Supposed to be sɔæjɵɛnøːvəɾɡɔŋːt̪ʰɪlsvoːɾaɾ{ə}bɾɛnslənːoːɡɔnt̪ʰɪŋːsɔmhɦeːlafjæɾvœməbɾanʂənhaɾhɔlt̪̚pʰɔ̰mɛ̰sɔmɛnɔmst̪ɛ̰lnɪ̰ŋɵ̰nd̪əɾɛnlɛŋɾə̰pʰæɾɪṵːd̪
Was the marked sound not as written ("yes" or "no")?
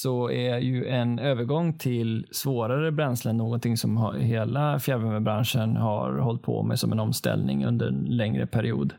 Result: no